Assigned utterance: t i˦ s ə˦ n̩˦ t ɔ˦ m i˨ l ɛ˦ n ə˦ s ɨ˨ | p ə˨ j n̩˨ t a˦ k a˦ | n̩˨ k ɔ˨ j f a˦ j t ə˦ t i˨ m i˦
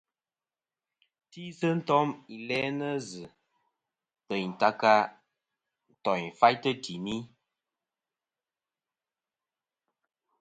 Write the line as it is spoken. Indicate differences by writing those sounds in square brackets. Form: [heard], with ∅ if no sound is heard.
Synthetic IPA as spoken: t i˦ s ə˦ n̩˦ t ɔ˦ m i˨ l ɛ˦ n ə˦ [z] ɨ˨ | p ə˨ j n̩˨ t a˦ k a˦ | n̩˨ [t] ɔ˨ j f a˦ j t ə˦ t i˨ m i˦